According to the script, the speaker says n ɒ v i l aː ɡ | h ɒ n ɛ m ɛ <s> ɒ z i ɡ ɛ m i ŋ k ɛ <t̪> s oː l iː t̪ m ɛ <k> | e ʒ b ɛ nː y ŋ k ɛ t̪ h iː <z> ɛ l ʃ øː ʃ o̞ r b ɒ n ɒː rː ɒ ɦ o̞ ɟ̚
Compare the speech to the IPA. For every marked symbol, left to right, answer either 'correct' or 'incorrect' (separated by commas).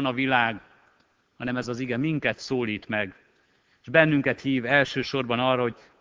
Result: incorrect, correct, incorrect, incorrect